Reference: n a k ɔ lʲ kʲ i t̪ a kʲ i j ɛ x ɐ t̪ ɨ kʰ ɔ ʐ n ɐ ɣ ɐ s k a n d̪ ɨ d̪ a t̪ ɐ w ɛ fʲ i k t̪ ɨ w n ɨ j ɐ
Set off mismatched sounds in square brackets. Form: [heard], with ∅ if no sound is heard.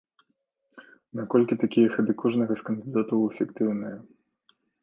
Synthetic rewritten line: n a k ɔ lʲ kʲ i t̪ a kʲ i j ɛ x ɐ [d̪] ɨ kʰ ɔ ʐ n ɐ ɣ ɐ s k [ɐ] n d̪ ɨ d̪ a t̪ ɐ w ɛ fʲ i k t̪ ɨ w n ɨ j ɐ